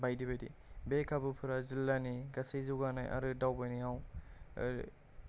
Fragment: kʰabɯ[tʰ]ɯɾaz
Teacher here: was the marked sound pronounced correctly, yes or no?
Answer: no